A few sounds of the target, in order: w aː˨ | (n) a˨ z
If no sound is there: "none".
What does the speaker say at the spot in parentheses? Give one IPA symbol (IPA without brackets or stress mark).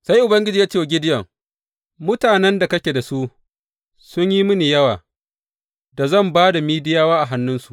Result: d